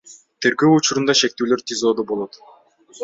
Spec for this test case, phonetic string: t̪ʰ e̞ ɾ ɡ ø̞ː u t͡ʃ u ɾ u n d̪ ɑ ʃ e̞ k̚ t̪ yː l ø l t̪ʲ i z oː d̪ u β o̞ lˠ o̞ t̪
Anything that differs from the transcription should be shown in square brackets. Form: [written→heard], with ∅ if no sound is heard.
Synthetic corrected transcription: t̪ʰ e̞ ɾ ɡ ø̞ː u t͡ʃ u ɾ u n d̪ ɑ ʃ e̞ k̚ t̪ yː l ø [l→ɾ] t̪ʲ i z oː d̪ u [β→b] o̞ lˠ o̞ t̪